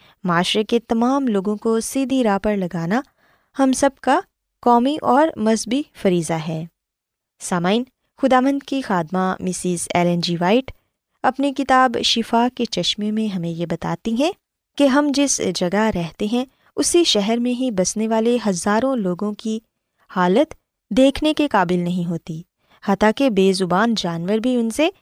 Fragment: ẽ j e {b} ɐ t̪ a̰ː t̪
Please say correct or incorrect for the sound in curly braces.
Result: correct